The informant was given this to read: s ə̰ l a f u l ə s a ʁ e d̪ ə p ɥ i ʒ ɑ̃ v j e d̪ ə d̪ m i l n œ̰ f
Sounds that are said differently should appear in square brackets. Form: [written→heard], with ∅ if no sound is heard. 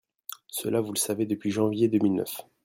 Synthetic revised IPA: s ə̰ l a [f→v] u l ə s a [ʁ→v] e d̪ ə p ɥ i ʒ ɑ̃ v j e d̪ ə [d̪→∅] m i l n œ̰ f

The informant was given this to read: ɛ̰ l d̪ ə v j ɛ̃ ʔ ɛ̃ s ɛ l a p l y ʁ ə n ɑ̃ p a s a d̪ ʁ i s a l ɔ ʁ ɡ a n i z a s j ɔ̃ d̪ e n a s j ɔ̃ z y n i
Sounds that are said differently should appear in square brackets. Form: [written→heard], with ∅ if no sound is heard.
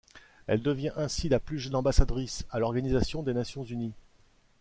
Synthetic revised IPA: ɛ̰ l d̪ ə v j ɛ̃ ʔ ɛ̃ s [ɛ→i] l a p l y [ʁ→ʒ] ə n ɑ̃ [p→b] a s a d̪ ʁ i s a l ɔ ʁ ɡ a n i z a s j ɔ̃ d̪ e n a s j ɔ̃ z y n i

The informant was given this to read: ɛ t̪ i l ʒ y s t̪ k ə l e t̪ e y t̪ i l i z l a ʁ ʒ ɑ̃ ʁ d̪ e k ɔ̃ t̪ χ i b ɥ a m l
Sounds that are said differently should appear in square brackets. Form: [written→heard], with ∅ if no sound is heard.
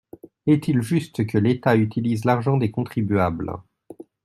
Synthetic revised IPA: ɛ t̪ i l ʒ y s t̪ k ə l e t̪ [e→a] y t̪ i l i z l a ʁ ʒ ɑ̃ [ʁ→∅] d̪ e k ɔ̃ t̪ χ i b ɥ a [m→b] l

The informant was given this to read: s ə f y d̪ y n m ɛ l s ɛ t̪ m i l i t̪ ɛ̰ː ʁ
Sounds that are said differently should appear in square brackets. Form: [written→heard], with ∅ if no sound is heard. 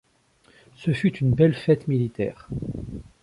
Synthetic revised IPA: s ə f y [d̪→t̪] y n [m→b] ɛ l [s→f] ɛ t̪ m i l i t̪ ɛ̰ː ʁ

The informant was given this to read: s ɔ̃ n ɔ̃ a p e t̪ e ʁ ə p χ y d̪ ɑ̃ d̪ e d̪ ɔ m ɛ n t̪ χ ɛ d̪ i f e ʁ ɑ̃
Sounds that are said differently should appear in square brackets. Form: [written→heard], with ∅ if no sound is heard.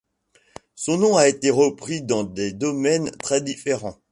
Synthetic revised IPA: s ɔ̃ n ɔ̃ a [p→∅] e t̪ e ʁ ə p χ [y→i] d̪ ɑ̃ d̪ e d̪ ɔ m ɛ n t̪ χ ɛ d̪ i f e ʁ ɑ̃

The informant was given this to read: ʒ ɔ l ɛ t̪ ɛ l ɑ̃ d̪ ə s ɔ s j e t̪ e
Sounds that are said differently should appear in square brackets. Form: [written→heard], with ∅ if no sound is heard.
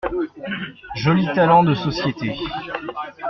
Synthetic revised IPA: ʒ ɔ l [ɛ→i] t̪ [ɛ→a] l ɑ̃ d̪ ə s ɔ s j e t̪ e

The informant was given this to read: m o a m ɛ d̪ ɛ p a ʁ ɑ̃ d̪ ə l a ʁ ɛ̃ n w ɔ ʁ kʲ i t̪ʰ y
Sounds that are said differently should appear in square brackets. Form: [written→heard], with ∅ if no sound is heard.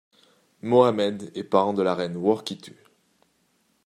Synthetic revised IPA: m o a m ɛ d̪ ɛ p a ʁ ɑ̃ d̪ ə l a ʁ [ɛ̃→ɛ] n w ɔ ʁ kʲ i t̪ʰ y

